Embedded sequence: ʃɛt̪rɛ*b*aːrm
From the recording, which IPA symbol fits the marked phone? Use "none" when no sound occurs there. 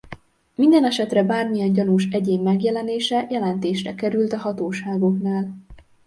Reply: b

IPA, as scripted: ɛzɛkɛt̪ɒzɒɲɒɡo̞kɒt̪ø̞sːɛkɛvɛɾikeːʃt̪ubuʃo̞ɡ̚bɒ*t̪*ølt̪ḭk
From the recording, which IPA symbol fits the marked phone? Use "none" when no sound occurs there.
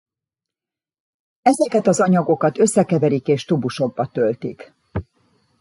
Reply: t̪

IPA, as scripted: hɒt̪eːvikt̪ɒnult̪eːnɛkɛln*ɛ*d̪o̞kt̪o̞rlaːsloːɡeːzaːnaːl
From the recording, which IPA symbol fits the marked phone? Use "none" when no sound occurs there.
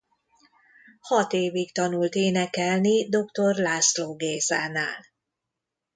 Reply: i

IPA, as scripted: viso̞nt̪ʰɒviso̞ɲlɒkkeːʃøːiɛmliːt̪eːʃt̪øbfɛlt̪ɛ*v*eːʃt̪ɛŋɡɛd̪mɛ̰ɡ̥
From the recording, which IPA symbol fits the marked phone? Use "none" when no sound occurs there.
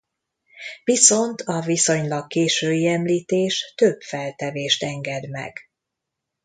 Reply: v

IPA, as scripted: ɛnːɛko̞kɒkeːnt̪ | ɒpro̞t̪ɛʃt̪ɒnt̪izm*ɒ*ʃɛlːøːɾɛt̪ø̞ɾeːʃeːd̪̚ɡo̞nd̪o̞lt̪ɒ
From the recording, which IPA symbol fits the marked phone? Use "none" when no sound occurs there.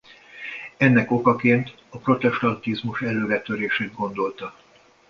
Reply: u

